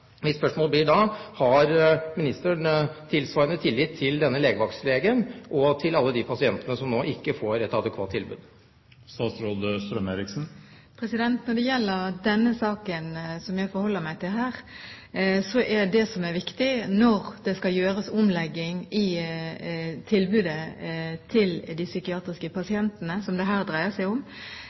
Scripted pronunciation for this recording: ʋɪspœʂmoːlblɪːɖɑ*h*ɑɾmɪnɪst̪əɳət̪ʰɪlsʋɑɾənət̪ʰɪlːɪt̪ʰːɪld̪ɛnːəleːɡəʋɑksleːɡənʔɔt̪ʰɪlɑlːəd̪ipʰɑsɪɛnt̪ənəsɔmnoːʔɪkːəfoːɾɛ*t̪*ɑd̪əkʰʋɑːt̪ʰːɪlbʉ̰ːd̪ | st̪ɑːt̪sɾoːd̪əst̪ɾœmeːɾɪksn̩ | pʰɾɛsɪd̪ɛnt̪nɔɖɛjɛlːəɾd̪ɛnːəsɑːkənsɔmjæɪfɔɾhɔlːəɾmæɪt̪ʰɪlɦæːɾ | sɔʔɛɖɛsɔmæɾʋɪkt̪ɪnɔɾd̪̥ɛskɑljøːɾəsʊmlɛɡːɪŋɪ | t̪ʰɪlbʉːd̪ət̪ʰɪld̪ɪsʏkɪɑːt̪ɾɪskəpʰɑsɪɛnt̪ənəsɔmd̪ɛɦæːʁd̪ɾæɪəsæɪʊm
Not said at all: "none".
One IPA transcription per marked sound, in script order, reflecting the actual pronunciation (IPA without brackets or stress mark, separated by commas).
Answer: h, t̪